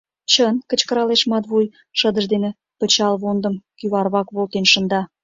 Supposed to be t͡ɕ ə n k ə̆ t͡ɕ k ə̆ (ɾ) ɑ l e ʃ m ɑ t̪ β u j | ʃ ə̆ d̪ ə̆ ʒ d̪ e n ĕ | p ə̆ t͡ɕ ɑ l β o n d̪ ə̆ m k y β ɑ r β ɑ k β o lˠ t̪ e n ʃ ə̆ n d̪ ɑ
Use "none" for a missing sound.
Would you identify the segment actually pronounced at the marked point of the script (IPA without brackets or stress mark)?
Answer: ɾ